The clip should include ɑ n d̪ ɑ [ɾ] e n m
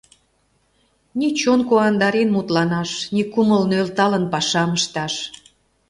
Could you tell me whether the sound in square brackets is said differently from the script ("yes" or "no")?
no